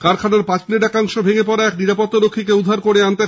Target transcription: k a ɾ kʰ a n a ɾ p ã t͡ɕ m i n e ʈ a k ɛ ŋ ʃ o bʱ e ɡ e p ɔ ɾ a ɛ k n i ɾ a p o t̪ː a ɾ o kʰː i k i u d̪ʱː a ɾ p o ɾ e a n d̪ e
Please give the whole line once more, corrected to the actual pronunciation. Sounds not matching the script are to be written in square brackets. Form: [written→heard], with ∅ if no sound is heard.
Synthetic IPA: k a ɾ kʰ a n a ɾ p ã t͡ɕ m i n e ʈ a k [ɛ→a] ŋ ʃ o bʱ e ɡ e p ɔ ɾ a ɛ k n i ɾ a p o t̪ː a ɾ o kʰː i k [i→e] u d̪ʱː a ɾ [p→k] o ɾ e a n [d̪→t̪] e